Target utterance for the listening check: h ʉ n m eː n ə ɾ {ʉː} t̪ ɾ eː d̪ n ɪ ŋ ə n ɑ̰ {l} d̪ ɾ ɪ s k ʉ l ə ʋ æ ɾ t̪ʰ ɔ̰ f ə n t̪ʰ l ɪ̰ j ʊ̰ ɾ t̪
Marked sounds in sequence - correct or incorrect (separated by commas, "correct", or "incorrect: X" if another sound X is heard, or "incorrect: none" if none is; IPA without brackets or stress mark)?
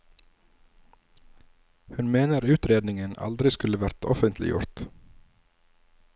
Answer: correct, correct